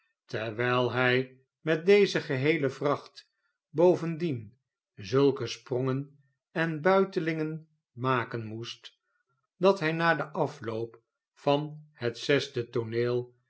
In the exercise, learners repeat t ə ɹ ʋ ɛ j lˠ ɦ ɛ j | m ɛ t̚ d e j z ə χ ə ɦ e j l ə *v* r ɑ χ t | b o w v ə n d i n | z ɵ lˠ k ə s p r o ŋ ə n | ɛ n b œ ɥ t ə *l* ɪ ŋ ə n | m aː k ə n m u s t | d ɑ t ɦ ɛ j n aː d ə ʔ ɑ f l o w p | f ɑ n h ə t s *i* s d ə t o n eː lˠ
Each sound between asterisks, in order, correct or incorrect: correct, correct, incorrect

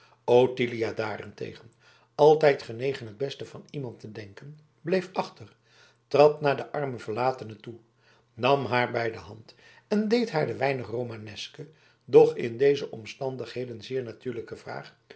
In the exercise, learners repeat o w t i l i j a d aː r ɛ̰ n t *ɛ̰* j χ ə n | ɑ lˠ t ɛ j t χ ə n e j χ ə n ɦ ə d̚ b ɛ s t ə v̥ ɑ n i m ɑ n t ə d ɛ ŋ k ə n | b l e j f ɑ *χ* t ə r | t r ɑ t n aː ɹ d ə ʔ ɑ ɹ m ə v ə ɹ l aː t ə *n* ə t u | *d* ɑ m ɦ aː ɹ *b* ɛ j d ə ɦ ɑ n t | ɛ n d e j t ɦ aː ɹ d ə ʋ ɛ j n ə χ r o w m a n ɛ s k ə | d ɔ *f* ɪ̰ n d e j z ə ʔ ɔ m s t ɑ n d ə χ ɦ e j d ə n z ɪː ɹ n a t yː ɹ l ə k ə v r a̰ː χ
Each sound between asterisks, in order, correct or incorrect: incorrect, correct, correct, incorrect, correct, incorrect

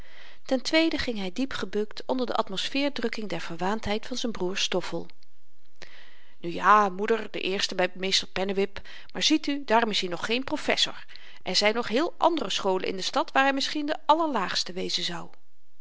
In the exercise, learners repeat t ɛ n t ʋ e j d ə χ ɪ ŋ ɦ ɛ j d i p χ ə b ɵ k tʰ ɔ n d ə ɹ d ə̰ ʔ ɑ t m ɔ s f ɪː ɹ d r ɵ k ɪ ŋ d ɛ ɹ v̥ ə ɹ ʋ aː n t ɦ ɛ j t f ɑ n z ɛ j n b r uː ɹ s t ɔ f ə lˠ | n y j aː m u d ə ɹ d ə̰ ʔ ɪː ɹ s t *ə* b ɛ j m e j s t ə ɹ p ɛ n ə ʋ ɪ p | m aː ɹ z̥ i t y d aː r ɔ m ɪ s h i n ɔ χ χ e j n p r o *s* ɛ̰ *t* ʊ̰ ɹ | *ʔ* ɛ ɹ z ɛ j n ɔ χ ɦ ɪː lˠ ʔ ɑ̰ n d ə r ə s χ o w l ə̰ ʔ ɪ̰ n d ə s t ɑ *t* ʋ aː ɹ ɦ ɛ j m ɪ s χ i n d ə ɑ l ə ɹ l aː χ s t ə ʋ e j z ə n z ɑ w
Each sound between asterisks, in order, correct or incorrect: correct, incorrect, incorrect, correct, correct

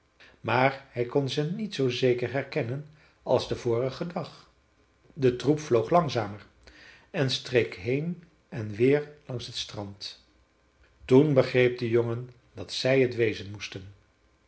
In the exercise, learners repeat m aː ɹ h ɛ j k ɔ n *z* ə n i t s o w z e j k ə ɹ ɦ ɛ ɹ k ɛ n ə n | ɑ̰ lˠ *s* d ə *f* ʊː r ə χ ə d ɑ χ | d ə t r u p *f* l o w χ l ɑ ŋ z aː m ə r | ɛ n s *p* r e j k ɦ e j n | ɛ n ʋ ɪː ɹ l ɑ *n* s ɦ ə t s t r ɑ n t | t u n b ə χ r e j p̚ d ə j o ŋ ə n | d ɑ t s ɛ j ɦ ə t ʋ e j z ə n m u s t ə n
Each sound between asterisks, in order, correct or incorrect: correct, incorrect, incorrect, correct, incorrect, incorrect

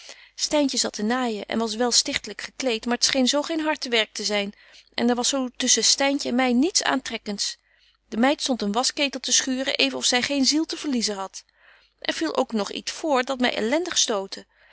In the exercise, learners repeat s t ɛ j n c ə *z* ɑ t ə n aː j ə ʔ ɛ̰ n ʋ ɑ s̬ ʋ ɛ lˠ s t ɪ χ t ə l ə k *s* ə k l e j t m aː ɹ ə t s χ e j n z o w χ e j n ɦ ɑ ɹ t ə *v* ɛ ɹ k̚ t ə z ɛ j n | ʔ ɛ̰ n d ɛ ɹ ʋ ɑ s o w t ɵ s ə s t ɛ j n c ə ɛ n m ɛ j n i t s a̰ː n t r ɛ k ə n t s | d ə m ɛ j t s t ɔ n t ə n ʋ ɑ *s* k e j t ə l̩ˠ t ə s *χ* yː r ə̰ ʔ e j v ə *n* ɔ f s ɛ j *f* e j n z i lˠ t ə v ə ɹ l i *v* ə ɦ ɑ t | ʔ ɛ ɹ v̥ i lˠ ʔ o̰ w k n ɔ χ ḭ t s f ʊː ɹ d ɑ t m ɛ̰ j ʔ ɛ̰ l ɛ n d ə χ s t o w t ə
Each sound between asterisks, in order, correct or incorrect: correct, incorrect, incorrect, correct, correct, correct, incorrect, incorrect

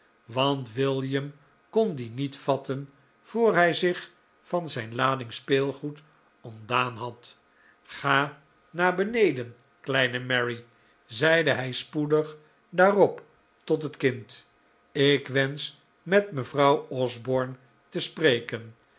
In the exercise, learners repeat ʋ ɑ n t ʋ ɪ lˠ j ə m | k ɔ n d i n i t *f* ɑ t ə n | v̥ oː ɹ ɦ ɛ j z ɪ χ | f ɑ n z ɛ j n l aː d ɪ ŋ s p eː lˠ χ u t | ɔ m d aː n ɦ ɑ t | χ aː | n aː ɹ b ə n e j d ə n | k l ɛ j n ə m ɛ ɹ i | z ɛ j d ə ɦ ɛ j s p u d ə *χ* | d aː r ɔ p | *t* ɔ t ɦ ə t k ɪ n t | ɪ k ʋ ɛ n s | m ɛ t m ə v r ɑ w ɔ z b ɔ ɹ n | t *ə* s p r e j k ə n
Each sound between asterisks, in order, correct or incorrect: correct, correct, correct, correct

